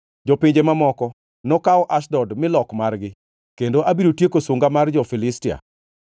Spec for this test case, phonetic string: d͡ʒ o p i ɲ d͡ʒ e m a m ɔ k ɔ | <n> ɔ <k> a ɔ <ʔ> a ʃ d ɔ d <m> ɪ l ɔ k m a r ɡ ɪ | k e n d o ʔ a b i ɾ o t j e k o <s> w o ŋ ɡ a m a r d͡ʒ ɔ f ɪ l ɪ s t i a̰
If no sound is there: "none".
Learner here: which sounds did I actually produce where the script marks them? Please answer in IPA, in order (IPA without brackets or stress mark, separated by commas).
n, k, ʔ, m, s